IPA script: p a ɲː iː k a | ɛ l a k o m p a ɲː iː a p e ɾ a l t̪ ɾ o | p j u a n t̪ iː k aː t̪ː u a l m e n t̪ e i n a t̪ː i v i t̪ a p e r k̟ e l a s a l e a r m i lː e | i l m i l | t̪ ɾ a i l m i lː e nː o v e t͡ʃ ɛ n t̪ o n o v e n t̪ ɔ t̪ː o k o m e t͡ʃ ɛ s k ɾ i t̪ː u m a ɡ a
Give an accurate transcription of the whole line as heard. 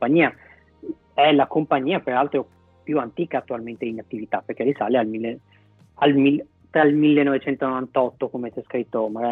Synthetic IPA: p a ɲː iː a | ɛ l a k o m p a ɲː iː a p e ɾ a l t̪ ɾ o | p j u a n t̪ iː k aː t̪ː u a l m e n t̪ e i n a t̪ː i v i t̪ a p e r k̟ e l i s a l e a l m i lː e | a l m i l | t̪ ɾ a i l m i lː e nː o v e t͡ʃ ɛ n t̪ o n o v a n t̪ ɔ t̪ː o k o m e t͡ʃ ɛ s k ɾ i t̪ː o m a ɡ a